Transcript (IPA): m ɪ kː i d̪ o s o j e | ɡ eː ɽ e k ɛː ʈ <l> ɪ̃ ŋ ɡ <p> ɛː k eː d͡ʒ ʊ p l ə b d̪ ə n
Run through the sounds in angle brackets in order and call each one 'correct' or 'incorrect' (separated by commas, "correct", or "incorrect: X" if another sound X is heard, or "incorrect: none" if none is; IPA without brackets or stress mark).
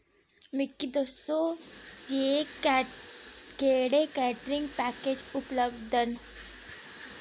incorrect: ɾ, correct